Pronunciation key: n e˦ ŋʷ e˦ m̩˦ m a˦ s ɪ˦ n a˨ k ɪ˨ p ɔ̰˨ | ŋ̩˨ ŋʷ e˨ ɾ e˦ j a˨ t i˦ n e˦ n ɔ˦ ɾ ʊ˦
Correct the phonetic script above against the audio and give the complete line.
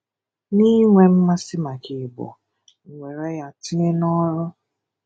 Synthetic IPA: n i˦ ŋʷ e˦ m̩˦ m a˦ s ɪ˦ m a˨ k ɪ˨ b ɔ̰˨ | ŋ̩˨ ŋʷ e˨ ɾ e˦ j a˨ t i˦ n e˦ n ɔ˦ ɾ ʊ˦

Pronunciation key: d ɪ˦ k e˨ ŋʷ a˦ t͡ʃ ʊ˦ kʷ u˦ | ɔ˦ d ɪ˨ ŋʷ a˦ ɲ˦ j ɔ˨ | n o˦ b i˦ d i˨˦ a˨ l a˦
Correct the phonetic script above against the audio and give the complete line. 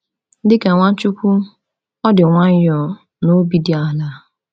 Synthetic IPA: d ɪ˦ k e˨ ŋʷ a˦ t͡ʃ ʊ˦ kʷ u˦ | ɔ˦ d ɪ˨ ŋʷ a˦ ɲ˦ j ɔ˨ | n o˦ b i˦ d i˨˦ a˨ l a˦

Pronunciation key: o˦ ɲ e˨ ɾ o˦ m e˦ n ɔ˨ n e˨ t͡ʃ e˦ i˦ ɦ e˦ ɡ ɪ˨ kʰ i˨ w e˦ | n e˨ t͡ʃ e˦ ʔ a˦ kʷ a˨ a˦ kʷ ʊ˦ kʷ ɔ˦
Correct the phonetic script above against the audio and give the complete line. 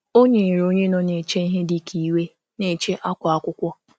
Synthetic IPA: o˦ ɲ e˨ ɾ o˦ ɲ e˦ n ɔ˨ n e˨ t͡ʃ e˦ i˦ ɦ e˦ d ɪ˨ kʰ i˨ w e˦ | n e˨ t͡ʃ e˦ ʔ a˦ kʷ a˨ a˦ kʷ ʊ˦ kʷ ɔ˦

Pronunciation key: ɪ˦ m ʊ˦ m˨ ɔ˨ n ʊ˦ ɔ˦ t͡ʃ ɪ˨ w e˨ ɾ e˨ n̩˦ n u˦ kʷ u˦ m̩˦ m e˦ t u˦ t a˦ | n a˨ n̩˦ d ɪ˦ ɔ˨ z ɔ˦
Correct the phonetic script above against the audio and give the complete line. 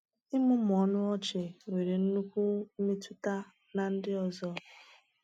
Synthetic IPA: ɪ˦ m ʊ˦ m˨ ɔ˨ n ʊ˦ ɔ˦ t͡ʃ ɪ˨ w e˨ ɾ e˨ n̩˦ n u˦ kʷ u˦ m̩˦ m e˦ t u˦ t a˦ | n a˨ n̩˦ d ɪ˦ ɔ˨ z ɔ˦

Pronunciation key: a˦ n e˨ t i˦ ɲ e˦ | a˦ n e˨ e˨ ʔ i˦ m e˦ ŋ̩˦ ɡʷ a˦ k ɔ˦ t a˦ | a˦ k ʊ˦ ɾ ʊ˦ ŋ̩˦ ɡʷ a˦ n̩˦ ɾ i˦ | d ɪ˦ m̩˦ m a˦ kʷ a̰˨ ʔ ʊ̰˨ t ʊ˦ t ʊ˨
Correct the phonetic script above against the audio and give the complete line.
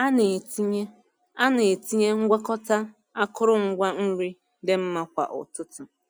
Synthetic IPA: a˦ n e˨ t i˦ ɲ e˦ | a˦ n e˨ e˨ t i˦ ɲ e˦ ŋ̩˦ ɡʷ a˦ k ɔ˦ t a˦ | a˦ k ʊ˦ ɾ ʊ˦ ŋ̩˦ ɡʷ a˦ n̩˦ ɾ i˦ | d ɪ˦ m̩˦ m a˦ kʷ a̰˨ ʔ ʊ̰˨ t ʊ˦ t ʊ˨

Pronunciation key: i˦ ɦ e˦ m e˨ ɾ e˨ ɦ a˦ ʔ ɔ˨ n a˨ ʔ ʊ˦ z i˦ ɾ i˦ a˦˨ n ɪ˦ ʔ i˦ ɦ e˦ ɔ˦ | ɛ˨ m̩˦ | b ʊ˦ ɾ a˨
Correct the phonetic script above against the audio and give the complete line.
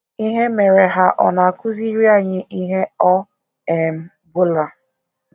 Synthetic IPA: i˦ ɦ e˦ m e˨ ɾ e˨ ɦ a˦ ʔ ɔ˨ n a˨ k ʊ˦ z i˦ ɾ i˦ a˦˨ ɲ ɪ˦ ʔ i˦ ɦ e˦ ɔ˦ | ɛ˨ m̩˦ | b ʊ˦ l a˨

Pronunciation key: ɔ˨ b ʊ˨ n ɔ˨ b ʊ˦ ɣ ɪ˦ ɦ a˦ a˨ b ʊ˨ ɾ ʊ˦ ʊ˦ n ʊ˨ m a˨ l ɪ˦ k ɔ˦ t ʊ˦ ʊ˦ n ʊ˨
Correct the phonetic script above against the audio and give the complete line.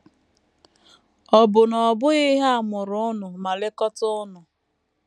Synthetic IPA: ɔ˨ b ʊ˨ n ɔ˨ b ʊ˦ ɣ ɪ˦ ɦ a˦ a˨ m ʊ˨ ɾ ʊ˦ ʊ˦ n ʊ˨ m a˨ l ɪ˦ k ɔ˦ t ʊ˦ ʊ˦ n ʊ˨

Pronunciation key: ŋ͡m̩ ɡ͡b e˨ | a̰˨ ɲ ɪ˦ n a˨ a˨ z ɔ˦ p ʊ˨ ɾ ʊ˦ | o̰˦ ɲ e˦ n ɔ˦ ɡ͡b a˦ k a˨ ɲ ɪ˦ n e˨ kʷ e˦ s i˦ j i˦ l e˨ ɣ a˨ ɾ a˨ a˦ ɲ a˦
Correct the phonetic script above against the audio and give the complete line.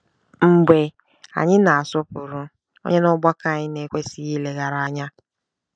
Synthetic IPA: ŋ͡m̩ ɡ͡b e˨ | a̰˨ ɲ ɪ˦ n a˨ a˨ s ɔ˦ p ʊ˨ ɾ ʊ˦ | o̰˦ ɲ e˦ n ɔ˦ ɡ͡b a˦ k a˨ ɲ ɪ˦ n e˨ kʷ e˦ s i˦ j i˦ l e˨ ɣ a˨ ɾ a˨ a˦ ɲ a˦

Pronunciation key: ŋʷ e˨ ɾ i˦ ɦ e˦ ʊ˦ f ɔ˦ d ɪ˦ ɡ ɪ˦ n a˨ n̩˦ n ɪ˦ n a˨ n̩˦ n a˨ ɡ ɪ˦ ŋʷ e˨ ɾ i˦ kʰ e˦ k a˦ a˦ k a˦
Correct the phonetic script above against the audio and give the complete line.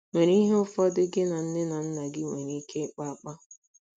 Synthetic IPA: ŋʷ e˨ ɾ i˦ ɦ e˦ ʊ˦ f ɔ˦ d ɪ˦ ɡ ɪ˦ n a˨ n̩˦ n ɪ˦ n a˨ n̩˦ n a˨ ɡ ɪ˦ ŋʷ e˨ ɾ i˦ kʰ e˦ k͡p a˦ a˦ k͡p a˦

